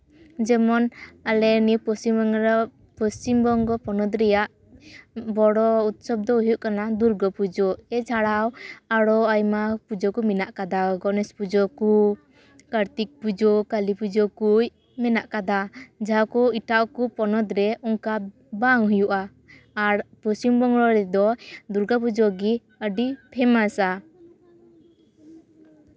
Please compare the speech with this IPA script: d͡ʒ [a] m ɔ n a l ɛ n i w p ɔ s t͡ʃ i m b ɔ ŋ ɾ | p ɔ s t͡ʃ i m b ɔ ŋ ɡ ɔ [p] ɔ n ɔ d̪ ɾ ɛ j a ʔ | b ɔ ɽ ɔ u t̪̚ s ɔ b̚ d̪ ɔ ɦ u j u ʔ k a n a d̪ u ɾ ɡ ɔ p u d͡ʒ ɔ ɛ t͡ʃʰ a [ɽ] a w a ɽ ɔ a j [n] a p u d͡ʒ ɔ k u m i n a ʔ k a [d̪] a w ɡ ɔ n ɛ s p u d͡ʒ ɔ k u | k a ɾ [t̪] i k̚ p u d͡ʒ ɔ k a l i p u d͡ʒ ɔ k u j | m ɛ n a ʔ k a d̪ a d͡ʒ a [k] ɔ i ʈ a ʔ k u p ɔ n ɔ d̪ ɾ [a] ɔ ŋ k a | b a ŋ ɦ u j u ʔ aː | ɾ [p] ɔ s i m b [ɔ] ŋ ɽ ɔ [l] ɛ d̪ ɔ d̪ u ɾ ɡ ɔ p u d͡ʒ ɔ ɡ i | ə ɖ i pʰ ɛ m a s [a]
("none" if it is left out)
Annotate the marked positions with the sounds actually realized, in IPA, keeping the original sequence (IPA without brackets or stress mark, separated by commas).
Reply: ɛ, p, ɽ, m, d̪, t̪, k, ɛ, p, ɔ, ɾ, a